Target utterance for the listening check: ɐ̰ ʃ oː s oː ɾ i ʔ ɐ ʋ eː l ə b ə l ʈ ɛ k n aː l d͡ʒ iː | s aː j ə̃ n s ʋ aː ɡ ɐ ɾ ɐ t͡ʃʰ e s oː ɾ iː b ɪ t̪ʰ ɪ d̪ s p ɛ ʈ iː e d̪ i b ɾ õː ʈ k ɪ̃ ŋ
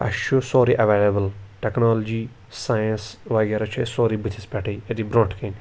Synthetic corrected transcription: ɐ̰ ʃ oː s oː ɾ i ʔ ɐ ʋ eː l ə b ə l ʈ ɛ k n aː l d͡ʒ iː | s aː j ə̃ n s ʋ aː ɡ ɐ ɾ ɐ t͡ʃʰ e s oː ɾ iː b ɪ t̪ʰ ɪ s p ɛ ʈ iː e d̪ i b ɾ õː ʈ k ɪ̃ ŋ